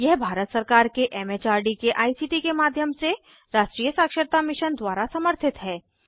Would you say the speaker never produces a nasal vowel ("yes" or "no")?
yes